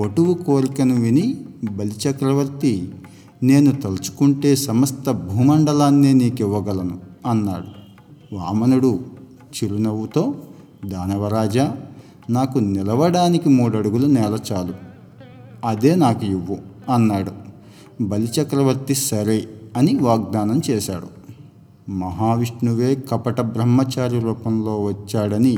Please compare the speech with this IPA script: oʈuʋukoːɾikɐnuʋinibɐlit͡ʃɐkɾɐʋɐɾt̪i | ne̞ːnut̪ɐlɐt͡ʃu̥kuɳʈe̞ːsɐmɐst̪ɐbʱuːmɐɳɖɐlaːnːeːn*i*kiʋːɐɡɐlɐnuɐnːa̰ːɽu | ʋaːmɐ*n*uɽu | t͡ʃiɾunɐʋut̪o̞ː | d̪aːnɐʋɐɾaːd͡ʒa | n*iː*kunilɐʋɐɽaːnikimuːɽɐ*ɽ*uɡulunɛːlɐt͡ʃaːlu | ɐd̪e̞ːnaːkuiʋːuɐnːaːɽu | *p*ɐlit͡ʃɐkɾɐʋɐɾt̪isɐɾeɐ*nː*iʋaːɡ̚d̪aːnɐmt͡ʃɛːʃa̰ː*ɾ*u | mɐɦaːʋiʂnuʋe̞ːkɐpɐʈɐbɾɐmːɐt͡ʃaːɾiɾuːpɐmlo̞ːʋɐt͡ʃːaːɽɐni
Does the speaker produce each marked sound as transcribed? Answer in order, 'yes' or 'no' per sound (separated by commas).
no, yes, no, yes, no, no, no